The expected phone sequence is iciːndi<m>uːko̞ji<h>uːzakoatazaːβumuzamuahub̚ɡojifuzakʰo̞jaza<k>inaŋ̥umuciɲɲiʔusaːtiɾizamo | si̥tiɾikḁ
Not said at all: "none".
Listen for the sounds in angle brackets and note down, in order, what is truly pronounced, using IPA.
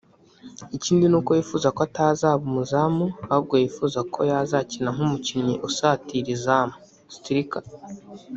n, f, c

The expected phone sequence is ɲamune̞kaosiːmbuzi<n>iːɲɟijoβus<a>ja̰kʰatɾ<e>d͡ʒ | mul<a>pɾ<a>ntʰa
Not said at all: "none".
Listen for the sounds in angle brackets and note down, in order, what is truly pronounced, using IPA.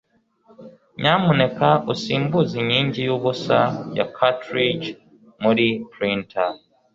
ɲ, a, i, i, i

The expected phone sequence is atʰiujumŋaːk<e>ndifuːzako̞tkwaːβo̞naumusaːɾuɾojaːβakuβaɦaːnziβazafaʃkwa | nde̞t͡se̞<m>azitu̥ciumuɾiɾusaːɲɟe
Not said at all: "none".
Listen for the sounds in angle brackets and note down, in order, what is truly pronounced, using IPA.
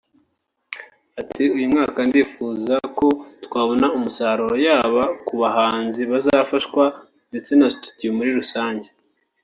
a, n

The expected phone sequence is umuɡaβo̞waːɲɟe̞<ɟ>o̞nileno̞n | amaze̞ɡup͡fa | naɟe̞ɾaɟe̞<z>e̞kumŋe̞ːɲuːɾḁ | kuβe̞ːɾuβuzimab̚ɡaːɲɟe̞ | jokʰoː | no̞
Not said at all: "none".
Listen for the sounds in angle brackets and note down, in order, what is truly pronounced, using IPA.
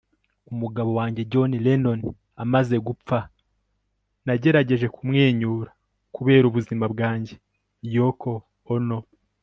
ɟ, ʒ

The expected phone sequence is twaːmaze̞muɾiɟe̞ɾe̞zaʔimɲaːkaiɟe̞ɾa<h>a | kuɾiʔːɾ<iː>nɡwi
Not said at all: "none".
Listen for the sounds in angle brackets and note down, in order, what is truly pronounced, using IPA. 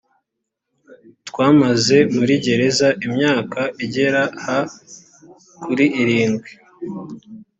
h, iː

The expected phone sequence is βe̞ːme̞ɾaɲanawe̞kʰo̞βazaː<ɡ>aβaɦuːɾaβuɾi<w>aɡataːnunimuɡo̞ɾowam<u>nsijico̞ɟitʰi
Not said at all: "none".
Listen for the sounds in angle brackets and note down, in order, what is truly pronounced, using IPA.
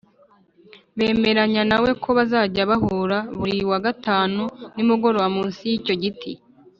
ɟ, w, uː

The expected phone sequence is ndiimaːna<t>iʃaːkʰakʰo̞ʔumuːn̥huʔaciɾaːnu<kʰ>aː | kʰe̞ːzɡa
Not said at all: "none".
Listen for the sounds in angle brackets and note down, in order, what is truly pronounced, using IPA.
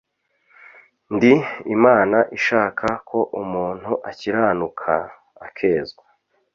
ʔ, kʰ

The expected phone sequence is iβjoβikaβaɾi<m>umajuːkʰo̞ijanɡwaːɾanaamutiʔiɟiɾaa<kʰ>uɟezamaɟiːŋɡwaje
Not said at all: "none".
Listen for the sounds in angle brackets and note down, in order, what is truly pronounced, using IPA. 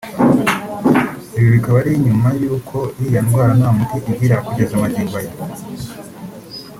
ɲ, k

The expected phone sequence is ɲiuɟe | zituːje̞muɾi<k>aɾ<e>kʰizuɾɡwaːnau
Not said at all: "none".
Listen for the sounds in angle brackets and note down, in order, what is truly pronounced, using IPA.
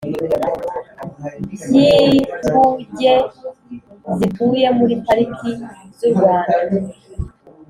p, i

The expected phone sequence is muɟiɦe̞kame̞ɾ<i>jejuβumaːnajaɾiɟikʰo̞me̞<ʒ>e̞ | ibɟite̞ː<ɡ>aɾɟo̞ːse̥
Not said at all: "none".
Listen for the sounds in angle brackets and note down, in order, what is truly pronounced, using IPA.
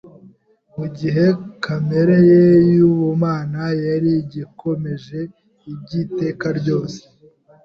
e, ʒ, k

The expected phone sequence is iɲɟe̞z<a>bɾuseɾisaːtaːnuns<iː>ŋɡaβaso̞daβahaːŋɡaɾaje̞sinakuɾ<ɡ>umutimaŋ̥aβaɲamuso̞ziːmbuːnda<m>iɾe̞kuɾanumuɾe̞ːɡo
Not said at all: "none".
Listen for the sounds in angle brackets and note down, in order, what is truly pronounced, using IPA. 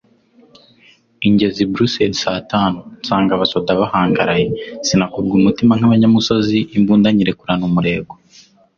i, aː, ɡ, ɲ

